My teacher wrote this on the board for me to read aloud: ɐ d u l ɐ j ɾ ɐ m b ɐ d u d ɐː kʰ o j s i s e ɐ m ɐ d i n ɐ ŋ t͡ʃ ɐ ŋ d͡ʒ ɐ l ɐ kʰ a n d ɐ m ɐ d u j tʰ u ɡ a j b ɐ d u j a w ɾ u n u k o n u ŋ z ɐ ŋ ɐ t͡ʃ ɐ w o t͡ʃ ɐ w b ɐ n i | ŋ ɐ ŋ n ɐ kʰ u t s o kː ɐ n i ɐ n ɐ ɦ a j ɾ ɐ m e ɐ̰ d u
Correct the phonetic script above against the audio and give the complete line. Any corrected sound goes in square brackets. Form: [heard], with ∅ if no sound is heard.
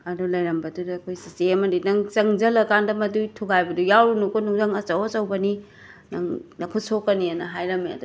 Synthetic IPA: ɐ d u l ɐ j ɾ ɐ m b ɐ d u d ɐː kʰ o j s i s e ɐ m ɐ d i n ɐ ŋ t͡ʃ ɐ ŋ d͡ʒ ɐ l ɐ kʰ a n d ɐ m ɐ d u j tʰ u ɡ a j b ɐ d u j a w ɾ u n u k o n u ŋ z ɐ ŋ ɐ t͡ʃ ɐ w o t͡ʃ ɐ w b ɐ n i | [n] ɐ ŋ n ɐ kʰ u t s o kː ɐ n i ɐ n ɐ ɦ a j ɾ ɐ m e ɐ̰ d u